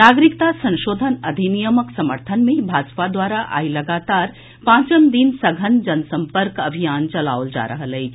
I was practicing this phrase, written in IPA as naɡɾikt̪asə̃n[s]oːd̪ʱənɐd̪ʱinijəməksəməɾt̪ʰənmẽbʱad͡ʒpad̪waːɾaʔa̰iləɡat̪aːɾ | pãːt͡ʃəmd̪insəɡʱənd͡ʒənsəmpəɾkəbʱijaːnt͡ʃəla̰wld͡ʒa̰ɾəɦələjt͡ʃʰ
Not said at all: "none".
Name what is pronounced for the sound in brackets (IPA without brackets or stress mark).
ʃ